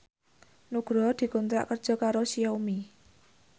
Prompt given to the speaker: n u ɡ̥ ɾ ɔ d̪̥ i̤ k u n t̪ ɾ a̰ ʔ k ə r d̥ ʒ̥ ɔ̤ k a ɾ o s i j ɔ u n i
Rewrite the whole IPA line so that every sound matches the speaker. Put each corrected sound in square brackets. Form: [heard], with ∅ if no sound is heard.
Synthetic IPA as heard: n u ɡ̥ ɾ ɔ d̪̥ i̤ k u n t̪ ɾ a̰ ʔ k ə r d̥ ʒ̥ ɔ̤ k a ɾ o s i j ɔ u [m] i

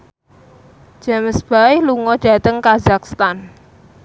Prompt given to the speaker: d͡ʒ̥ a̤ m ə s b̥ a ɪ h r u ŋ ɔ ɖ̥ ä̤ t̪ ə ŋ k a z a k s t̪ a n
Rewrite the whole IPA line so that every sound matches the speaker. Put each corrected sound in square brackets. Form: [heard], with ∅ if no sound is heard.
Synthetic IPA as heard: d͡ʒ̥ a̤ m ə s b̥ a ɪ h [l] u ŋ ɔ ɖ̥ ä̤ t̪ ə ŋ k a z a k s t̪ a n

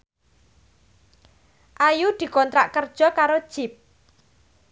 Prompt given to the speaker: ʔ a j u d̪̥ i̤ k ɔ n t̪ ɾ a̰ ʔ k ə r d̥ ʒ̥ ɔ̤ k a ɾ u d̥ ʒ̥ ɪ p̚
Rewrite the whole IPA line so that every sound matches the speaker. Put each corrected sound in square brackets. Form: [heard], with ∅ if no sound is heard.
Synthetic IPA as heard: ʔ a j u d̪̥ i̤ k ɔ n t̪ ɾ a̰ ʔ k ə r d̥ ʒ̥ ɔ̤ k a ɾ [o] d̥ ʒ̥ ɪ p̚

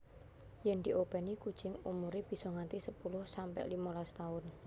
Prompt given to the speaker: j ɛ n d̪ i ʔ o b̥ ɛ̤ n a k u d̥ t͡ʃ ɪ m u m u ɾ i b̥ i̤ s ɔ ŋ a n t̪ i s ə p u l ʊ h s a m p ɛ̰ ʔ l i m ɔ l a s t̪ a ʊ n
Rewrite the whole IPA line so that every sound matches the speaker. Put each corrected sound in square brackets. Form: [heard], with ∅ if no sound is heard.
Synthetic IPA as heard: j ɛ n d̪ i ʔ o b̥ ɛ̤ n [i] k u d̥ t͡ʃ ɪ [ŋ] u m u ɾ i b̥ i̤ s ɔ ŋ a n t̪ i s ə p u l ʊ h s a m p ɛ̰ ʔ l i m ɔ l a s t̪ a ʊ n

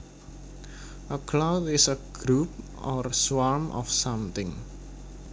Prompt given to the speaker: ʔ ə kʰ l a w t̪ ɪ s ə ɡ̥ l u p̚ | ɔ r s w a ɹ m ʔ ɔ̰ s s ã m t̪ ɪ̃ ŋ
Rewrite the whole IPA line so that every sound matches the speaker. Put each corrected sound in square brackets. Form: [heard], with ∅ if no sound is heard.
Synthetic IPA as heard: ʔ ə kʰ l a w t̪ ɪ s ə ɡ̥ [ɾ] u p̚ | ɔ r s w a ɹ m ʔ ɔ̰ [f] s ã m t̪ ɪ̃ ŋ

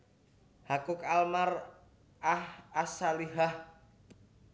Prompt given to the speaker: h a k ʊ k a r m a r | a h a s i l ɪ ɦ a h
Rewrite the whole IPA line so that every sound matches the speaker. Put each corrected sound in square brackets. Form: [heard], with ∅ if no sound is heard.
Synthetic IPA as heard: h a k ʊ k a [l] m a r | a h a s [a] l [i] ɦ a h

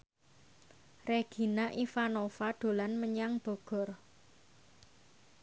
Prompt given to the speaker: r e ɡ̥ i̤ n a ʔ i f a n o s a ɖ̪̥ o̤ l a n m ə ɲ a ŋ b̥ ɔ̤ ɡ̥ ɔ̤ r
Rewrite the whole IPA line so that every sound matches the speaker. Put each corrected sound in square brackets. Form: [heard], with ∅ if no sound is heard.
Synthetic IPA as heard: r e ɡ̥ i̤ n a ʔ i f a n o [f] a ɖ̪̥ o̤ l a n m ə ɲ a ŋ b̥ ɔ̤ ɡ̥ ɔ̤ r

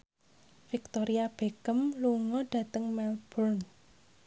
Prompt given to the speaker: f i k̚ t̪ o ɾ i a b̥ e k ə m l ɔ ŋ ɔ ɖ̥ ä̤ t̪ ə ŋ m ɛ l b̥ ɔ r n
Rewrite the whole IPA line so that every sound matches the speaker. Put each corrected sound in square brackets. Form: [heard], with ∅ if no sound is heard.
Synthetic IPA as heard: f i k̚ t̪ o ɾ i a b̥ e k ə m l [u] ŋ ɔ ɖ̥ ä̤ t̪ ə ŋ m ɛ l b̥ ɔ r n

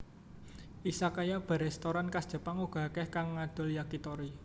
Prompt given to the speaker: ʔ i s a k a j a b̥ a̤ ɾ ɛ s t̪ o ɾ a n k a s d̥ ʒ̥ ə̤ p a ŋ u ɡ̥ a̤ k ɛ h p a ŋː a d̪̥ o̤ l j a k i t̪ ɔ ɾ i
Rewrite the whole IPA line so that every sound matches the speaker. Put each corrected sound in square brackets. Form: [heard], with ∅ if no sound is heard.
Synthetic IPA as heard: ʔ i s a k a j a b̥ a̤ ɾ ɛ s t̪ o ɾ a n k a s d̥ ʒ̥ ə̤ p a ŋ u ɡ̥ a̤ k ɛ h [k] a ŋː a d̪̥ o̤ l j a k i t̪ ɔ ɾ i

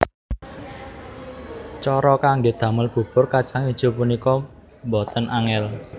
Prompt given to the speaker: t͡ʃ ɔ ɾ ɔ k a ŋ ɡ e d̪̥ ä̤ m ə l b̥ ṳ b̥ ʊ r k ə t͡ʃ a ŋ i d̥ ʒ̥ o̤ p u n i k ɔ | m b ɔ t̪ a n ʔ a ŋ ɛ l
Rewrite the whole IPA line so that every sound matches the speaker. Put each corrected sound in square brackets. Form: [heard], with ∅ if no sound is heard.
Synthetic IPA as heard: t͡ʃ ɔ ɾ ɔ k a ŋ ɡ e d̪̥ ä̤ m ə l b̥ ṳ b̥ ʊ r k [a] t͡ʃ a ŋ i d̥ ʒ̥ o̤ p u n i k ɔ | m b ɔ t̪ [ə] n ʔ a ŋ ɛ l

